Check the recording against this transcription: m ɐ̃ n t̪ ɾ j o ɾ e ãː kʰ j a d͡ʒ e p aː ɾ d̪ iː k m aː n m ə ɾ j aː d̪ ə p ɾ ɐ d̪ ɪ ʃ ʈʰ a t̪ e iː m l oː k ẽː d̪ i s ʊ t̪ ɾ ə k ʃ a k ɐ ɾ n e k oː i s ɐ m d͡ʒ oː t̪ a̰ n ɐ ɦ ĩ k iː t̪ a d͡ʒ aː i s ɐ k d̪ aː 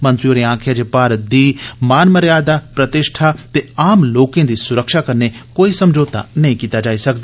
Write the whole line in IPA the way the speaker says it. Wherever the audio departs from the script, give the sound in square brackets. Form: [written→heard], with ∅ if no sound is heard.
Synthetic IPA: m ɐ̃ n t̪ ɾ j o ɾ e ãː kʰ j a d͡ʒ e p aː ɾ d̪ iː [k→∅] m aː n m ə ɾ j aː d̪ [ə→a] p ɾ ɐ [d̪→t̪] ɪ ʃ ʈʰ a t̪ e [iː→aː] m l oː k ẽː d̪ i s ʊ [t̪→∅] ɾ ə k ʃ a k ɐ ɾ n e k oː i s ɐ m d͡ʒ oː t̪ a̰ n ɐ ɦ ĩ k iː t̪ a d͡ʒ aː i s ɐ k d̪ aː